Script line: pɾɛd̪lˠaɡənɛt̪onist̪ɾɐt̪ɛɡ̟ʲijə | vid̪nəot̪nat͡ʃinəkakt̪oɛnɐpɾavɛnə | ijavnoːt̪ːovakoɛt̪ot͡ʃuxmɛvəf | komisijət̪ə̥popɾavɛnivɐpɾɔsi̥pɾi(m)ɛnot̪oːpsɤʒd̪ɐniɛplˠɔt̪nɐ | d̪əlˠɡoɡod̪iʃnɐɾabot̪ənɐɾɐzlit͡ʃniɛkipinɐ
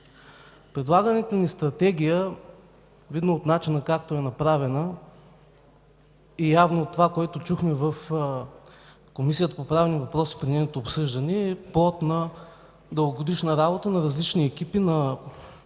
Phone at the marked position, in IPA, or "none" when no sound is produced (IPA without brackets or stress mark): n